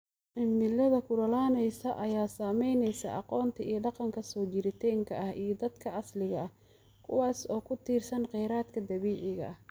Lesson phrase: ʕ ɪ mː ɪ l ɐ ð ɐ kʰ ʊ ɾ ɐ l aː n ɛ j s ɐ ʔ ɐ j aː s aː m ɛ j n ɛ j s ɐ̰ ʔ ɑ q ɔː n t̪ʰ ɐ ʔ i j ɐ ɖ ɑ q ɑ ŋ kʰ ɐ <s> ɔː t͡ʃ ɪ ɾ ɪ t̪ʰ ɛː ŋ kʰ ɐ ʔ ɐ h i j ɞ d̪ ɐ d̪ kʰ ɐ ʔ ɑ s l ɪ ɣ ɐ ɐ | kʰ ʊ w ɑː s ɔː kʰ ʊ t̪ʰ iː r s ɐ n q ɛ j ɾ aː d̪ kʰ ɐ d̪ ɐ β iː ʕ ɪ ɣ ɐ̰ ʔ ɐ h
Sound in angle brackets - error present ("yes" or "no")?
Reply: no